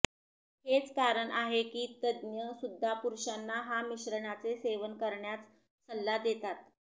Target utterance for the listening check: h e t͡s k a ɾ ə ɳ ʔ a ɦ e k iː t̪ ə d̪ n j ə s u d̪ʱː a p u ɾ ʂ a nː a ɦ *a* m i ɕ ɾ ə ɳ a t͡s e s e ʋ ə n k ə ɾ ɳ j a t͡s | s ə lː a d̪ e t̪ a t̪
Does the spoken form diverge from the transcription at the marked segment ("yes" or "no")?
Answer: no